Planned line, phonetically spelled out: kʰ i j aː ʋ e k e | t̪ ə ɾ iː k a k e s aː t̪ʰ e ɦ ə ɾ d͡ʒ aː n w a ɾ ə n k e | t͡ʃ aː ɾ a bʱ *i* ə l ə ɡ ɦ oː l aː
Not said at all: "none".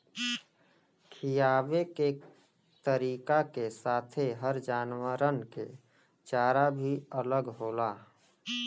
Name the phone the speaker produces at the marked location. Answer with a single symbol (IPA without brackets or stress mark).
i